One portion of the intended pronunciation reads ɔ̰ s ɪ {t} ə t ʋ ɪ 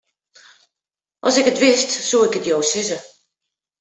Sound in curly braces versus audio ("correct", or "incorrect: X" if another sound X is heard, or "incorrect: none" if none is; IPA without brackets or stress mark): incorrect: k